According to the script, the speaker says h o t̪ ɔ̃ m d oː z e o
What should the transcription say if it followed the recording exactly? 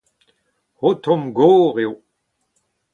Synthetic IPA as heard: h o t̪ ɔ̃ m ɡ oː ʁ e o